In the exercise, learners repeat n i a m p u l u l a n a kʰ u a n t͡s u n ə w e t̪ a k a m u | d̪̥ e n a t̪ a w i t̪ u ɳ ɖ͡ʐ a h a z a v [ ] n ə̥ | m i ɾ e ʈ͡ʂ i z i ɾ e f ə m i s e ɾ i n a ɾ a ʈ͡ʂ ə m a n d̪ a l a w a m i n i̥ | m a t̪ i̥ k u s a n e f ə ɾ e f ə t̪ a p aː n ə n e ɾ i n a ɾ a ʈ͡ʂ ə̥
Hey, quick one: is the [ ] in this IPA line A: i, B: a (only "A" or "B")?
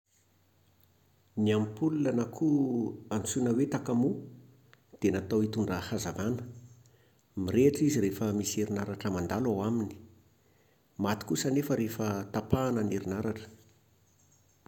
B